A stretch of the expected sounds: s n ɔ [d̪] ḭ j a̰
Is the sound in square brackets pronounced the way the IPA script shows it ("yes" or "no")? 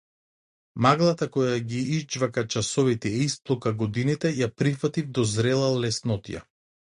no